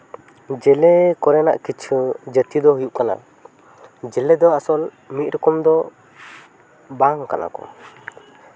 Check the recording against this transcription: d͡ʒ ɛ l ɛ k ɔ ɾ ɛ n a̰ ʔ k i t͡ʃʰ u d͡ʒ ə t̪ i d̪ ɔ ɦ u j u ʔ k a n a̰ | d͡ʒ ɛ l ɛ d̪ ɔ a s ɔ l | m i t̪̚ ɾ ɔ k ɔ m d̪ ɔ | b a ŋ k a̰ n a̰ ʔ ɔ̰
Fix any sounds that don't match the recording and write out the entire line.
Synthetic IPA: d͡ʒ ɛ l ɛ k ɔ ɾ ɛ n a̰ ʔ k i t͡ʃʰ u d͡ʒ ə t̪ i d̪ ɔ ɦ u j u ʔ k a n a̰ | d͡ʒ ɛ l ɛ d̪ ɔ a s ɔ l | m i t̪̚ ɾ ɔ k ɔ m d̪ ɔ | b a ŋ k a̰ n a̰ k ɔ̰